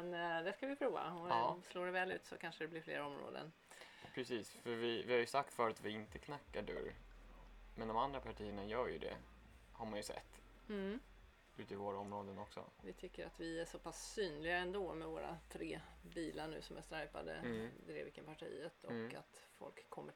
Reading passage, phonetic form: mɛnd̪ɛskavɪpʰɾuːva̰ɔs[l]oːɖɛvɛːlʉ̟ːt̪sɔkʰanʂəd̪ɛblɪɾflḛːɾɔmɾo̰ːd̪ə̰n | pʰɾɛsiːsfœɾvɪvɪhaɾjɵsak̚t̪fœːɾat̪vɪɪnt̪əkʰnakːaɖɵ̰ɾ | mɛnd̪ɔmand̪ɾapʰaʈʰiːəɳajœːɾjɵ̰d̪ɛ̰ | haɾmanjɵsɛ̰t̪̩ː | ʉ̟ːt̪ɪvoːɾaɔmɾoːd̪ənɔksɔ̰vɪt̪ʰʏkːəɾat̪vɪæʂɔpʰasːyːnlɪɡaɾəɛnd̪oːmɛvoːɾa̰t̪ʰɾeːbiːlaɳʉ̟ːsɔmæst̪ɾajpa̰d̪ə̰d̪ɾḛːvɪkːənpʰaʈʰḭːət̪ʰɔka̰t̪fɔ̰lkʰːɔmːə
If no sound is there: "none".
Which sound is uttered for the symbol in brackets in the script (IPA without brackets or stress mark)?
l